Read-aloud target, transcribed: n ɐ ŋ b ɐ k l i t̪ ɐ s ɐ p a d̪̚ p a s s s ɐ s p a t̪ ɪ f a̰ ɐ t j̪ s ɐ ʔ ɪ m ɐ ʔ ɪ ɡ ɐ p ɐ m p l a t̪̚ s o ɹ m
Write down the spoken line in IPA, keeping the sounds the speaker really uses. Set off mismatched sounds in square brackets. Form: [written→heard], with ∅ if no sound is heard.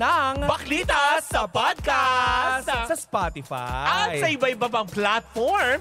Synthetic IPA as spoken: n ɐ ŋ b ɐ k l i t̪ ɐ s ɐ p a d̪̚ [p→k] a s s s ɐ s p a t̪ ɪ f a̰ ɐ t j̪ s ɐ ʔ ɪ [m→b] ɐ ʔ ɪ [ɡ→b] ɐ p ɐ [m→ŋ] p l a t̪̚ [s→f] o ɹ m

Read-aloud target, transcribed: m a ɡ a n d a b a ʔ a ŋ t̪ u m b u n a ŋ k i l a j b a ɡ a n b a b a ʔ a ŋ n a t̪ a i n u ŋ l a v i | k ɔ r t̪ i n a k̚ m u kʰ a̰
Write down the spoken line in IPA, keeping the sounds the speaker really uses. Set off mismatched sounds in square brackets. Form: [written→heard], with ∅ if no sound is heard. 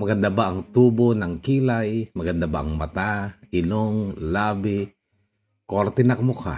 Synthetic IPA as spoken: m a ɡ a n d a b a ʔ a ŋ t̪ u [m→∅] b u n a ŋ k i l a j [b→m] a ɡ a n [b→d] a b a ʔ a ŋ [n→m] a t̪ a i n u ŋ l a [v→b] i | k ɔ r t̪ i n a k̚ m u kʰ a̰

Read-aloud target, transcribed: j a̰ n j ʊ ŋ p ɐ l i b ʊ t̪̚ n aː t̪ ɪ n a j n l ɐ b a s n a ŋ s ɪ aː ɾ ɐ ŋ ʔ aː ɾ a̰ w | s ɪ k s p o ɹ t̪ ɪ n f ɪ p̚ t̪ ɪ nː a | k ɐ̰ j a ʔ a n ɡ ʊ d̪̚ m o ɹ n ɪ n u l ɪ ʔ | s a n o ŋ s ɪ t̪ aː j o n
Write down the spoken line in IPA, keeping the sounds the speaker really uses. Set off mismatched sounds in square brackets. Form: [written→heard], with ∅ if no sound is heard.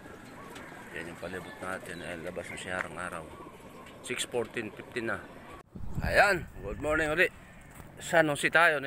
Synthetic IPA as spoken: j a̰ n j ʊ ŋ p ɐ l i b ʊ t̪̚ n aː t̪ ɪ n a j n l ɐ b a s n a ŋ s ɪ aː ɾ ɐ ŋ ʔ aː ɾ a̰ w | s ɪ k s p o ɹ t̪ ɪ n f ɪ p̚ t̪ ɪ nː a | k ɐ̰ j a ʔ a n ɡ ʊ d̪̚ m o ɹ n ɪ [n→ŋ] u l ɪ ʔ | s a n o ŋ s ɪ t̪ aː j o n

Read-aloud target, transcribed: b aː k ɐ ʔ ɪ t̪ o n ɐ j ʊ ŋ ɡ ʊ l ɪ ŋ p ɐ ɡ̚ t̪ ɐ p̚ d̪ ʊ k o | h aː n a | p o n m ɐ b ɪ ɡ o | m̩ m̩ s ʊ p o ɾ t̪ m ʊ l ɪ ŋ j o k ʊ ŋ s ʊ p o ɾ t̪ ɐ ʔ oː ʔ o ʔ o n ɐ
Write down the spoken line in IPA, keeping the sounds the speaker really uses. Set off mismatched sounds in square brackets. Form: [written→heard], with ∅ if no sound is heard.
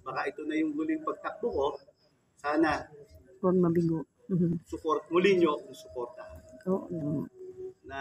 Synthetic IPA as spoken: b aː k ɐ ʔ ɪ t̪ o n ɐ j ʊ ŋ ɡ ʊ l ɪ ŋ p ɐ ɡ̚ t̪ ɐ [p̚→k̚] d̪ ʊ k o | [h→s] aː n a | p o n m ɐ b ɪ ɡ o | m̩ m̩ s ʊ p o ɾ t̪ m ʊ l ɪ [ŋ→ɲ] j o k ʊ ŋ s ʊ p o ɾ t̪ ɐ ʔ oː ʔ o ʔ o n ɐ

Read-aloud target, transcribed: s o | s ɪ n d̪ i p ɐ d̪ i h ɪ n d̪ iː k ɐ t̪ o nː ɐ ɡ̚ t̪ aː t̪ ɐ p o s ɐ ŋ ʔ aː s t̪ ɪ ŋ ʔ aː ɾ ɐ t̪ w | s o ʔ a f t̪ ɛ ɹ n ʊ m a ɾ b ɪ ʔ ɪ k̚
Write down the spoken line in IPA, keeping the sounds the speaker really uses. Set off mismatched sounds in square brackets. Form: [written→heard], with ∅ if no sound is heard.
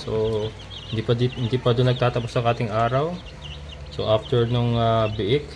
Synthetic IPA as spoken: s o | [s→h] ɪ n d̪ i p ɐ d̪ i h ɪ n d̪ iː [k→p] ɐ [t̪→d̪] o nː ɐ ɡ̚ t̪ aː t̪ ɐ p o s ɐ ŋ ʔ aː [s→∅] t̪ ɪ ŋ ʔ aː ɾ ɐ [t̪→∅] w | s o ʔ a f t̪ ɛ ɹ n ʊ [m→ŋ] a [ɾ→∅] b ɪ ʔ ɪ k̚

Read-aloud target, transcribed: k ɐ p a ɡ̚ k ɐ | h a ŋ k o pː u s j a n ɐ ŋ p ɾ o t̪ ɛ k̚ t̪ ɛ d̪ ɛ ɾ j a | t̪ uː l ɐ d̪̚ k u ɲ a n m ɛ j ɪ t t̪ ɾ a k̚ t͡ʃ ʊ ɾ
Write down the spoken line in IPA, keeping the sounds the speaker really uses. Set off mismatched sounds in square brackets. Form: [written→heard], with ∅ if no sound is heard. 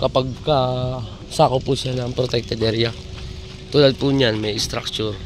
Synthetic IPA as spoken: k ɐ p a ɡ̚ k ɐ | [h→s] a [ŋ→∅] k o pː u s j a n ɐ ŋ p ɾ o t̪ ɛ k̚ t̪ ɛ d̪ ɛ ɾ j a | t̪ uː l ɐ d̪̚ [k→p] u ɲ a n m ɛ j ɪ [t→s] t̪ ɾ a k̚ t͡ʃ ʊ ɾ

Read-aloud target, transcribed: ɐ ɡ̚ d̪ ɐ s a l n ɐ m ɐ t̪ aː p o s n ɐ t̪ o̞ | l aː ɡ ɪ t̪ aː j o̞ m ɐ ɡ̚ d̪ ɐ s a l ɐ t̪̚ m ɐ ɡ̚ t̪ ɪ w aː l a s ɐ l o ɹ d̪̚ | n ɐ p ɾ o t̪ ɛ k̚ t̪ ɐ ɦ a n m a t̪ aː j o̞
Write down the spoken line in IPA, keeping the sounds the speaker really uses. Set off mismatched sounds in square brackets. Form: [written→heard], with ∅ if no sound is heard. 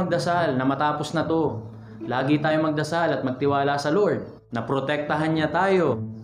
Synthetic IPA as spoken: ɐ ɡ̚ d̪ ɐ s a l n ɐ m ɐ t̪ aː p o s n ɐ t̪ o̞ | l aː ɡ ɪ t̪ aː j o̞ m ɐ ɡ̚ d̪ ɐ s a l ɐ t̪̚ m ɐ ɡ̚ t̪ ɪ w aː l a s ɐ l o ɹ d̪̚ | n ɐ p ɾ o t̪ ɛ k̚ t̪ ɐ ɦ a n [m→ɲ] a t̪ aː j o̞

